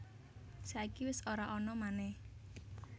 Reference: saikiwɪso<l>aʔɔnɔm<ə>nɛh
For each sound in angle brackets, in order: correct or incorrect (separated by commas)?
incorrect, incorrect